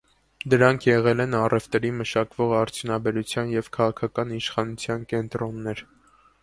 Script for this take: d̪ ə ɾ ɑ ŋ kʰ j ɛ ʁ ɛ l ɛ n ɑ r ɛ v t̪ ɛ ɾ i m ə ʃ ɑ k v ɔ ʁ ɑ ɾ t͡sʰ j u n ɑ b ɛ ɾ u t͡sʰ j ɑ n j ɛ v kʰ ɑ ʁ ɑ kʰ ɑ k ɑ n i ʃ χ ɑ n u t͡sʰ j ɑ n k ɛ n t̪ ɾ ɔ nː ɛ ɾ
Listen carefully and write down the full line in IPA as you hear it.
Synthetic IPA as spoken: d̪ ə ɾ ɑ ŋ kʰ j ɛ ʁ ɛ l ɛ n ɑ r ɛ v t̪ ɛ ɾ i m ə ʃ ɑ k v ɔ ʁ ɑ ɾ t͡sʰ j u n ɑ b ɛ ɾ u t͡sʰ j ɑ n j ɛ v kʰ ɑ ʁ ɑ kʰ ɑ k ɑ n i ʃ χ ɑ n u t͡sʰ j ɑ n k ɛ n t̪ ɾ ɔ nː ɛ ɾ